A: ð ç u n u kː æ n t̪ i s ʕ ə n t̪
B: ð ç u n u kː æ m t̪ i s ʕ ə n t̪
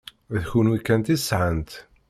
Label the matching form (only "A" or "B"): A